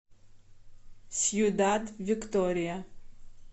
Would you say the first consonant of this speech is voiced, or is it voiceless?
voiceless